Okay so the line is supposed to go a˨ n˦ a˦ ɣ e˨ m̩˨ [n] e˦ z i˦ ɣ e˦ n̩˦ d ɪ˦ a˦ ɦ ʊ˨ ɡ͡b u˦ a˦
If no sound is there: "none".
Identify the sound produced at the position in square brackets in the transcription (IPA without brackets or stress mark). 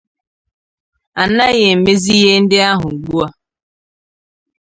m